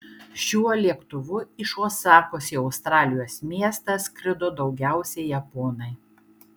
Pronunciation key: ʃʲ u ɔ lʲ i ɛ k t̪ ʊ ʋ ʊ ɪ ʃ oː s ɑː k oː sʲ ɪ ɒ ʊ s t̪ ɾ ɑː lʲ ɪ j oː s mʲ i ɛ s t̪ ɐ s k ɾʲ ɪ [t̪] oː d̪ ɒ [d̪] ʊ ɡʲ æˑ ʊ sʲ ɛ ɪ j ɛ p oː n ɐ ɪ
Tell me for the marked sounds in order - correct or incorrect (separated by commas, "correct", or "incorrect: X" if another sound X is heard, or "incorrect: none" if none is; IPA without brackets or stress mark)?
incorrect: d̪, incorrect: none